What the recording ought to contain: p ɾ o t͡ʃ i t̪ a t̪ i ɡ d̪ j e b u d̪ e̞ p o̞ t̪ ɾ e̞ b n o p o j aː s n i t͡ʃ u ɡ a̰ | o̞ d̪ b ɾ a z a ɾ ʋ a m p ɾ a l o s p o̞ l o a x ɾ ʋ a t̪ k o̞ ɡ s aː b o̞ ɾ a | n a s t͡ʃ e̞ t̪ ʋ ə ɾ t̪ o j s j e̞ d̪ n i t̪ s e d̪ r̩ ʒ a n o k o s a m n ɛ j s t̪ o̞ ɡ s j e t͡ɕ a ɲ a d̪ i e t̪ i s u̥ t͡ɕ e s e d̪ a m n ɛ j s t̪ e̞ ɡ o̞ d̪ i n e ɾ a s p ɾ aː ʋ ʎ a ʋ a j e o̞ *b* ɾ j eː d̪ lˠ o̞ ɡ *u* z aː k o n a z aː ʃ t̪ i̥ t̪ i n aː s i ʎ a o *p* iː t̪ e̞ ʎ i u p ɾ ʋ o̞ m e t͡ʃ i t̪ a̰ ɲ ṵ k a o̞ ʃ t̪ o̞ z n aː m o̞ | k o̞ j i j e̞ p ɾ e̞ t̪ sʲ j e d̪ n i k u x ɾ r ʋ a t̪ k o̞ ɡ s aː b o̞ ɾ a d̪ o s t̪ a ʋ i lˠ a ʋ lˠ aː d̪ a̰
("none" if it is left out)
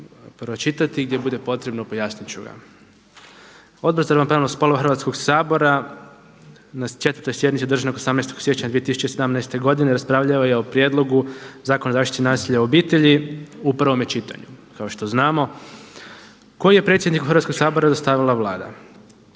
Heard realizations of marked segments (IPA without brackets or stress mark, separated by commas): p, u, b